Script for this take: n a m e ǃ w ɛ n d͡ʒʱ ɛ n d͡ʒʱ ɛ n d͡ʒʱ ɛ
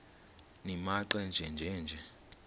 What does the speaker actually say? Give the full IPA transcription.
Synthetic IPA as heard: n i m a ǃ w ɛ n d͡ʒʱ ɛ n d͡ʒʱ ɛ n d͡ʒʱ ɛ